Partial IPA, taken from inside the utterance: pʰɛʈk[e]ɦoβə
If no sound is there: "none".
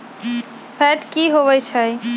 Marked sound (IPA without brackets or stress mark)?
i